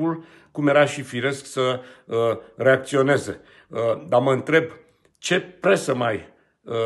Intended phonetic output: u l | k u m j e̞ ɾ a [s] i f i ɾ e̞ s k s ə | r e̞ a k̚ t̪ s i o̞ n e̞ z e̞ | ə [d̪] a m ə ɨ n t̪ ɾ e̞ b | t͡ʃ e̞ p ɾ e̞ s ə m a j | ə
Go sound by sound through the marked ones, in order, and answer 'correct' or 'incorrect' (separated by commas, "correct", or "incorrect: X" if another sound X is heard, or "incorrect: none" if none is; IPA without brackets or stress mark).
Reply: incorrect: ʃ, correct